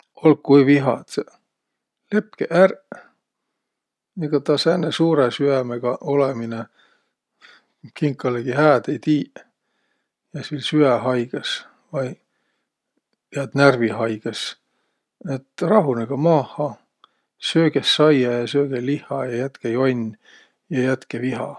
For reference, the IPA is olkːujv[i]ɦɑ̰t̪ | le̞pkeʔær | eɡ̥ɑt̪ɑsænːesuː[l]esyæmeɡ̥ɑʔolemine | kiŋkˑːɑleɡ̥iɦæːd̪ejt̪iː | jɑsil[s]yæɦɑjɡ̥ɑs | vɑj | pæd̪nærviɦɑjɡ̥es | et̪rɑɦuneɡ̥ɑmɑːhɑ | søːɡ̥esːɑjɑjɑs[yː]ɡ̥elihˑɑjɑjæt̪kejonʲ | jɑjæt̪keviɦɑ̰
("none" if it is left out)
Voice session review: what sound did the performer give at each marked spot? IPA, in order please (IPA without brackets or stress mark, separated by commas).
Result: i, ɾ, s, øː